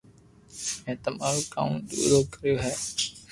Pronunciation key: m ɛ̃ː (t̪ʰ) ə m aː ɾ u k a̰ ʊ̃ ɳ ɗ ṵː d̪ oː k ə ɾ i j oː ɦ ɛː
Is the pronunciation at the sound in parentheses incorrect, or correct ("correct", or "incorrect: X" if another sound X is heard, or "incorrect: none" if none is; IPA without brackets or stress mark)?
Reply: incorrect: t̪